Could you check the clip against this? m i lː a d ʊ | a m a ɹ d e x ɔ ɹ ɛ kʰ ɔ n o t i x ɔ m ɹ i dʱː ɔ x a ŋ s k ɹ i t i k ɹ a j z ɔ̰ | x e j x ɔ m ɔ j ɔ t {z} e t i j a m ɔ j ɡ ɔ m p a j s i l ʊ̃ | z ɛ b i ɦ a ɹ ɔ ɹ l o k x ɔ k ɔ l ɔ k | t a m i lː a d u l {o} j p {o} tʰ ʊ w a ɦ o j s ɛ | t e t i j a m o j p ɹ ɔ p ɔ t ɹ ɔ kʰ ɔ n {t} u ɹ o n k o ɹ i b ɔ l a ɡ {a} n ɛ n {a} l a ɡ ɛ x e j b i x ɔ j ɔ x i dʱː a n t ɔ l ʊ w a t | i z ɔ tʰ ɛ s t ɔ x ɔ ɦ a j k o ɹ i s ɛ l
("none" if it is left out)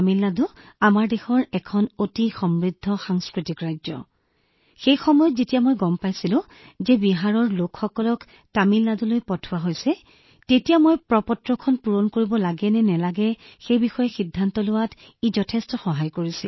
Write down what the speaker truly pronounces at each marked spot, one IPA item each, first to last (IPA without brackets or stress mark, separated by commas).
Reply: z, o, ɔ, p, ɛ, ɛ